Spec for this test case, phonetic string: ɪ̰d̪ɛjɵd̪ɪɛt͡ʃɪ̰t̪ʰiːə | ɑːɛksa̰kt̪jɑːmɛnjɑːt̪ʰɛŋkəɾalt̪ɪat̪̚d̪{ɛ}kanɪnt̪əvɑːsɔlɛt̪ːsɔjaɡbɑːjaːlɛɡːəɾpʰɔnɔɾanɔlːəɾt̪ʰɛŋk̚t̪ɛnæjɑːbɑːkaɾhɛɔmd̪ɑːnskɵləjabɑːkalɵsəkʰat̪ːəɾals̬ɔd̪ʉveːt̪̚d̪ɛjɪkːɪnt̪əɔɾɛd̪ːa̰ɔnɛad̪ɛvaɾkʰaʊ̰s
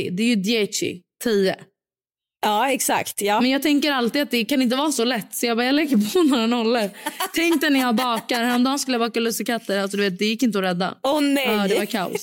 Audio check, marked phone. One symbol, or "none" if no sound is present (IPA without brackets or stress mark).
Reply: ɛ